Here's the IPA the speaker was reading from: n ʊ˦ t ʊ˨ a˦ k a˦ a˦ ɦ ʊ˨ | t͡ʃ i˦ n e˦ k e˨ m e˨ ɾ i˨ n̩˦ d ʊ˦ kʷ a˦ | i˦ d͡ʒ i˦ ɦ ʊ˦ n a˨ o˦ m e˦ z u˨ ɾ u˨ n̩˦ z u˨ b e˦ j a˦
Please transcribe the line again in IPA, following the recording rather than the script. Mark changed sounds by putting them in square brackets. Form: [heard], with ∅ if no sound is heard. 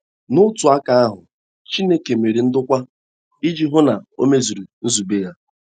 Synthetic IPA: n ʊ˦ t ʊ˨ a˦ k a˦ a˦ ɦ ʊ˨ | t͡ʃ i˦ n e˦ k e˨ m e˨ ɾ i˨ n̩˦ d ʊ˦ kʷ a˦ | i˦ d͡ʒ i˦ ɦ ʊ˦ n a˨ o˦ m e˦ z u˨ ɾ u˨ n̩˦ z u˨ b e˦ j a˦